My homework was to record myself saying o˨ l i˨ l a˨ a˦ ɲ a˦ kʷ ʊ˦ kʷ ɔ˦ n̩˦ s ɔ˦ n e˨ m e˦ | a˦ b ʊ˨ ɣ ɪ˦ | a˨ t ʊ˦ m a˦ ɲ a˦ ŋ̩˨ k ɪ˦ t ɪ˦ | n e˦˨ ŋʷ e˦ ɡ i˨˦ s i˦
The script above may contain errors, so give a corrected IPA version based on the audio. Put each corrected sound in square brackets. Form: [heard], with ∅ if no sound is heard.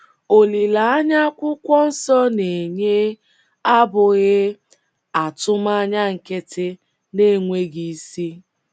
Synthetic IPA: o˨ l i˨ l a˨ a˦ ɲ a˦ kʷ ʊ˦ kʷ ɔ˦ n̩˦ s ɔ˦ n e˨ [ɲ] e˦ | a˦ b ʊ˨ ɣ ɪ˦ | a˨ t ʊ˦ m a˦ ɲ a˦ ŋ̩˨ k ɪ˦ t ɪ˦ | n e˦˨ ŋʷ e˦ ɡ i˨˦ s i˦